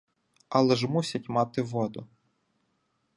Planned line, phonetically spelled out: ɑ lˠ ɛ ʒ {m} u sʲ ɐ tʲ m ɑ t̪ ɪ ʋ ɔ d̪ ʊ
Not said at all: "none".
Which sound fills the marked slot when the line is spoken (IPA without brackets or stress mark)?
m